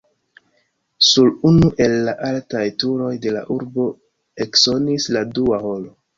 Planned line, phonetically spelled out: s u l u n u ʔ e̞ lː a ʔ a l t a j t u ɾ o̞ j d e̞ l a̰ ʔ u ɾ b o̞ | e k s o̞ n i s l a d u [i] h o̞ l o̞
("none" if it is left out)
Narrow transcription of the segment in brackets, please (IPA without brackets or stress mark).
a